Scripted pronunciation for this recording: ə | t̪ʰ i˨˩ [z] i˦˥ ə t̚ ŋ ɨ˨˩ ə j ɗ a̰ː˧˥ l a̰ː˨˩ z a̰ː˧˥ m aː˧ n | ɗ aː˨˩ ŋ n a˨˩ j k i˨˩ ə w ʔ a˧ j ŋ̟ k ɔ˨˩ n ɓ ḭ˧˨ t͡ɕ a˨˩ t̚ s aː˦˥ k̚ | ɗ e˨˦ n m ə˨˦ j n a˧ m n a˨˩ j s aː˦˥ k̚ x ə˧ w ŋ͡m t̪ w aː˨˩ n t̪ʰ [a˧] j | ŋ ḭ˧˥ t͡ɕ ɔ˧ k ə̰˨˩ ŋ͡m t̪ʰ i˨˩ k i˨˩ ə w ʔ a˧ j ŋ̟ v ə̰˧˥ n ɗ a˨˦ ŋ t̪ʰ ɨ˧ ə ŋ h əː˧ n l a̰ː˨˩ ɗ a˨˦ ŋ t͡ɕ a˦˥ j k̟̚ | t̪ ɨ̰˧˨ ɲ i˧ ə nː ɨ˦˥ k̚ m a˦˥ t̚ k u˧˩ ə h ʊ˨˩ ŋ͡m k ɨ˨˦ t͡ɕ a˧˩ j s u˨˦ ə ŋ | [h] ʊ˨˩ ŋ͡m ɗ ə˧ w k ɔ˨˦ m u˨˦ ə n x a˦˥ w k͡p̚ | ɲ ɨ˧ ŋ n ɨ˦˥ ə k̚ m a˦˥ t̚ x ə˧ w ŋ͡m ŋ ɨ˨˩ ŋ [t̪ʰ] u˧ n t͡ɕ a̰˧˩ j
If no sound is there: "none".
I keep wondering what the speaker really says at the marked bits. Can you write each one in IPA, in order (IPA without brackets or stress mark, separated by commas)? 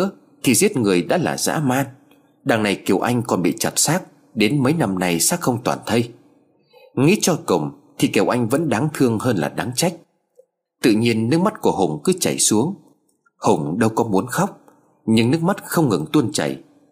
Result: z, ə˧, h, t̪